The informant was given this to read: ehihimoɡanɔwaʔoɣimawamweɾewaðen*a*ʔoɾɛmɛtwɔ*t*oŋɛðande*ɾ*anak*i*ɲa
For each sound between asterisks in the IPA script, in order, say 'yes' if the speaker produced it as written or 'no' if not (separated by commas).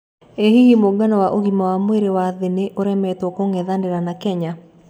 no, no, yes, no